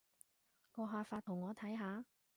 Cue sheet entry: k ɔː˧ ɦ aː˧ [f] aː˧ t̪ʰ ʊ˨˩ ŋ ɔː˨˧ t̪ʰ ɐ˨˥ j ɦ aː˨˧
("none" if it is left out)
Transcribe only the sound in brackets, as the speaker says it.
f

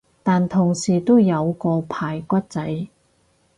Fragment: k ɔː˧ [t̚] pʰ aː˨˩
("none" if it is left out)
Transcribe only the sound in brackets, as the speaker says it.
none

